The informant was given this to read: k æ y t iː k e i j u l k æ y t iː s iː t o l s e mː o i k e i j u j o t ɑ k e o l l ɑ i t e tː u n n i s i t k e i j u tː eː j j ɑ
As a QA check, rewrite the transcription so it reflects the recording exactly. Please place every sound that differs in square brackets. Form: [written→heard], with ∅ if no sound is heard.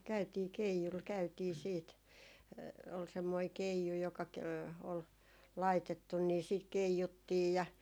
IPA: k æ y t iː k e i j u l k æ y t iː s iː t o l s e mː o i k e i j u j o [t→k] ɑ k e o l l ɑ i t e tː u n n i s [i→iː] t k e i j u tː [eː→iː] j j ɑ